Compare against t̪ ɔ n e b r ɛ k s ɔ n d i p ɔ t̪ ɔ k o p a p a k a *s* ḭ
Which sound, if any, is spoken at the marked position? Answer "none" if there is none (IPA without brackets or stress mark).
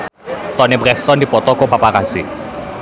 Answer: s